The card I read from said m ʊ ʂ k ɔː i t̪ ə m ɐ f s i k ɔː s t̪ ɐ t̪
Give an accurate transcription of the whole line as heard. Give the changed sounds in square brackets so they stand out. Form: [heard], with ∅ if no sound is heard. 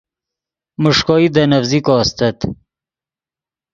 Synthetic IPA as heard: m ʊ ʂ k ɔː i [d̪] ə [n] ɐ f [z] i k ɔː s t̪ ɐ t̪